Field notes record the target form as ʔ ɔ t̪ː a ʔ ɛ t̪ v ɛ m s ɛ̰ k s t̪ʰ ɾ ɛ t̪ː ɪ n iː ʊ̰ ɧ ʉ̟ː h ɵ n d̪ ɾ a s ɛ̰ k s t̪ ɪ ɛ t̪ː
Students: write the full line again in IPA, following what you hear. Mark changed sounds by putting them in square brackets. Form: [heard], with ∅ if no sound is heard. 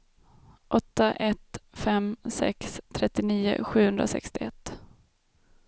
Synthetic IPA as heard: ʔ ɔ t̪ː a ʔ ɛ t̪ [f] ɛ m s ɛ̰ k s t̪ʰ ɾ ɛ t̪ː ɪ n iː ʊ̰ ɧ ʉ̟ː h ɵ n d̪ ɾ a s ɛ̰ k s t̪ ɪ ɛ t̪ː